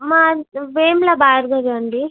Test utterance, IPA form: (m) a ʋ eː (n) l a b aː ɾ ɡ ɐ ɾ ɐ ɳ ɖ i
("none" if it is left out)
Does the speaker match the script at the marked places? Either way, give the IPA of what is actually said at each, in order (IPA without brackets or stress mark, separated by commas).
m, m